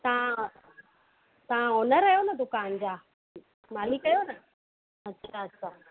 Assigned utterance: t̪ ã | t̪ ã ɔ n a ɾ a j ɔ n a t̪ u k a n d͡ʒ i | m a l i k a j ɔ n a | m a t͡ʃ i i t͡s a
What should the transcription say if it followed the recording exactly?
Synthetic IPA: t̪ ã | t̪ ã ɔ n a ɾ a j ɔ n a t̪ u k a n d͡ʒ a | m a l i k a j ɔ n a | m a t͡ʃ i a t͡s a